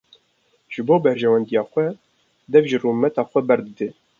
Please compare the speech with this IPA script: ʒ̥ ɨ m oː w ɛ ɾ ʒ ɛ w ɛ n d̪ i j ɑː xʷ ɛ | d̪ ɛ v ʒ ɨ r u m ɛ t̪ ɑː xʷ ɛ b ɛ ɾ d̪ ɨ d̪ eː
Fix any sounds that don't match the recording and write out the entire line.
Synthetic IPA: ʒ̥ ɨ b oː b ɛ ɾ ʒ ɛ w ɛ n d̪ i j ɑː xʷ ɛ | d̪ ɛ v ʒ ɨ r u m ɛ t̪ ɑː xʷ ɛ b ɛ ɾ d̪ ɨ d̪ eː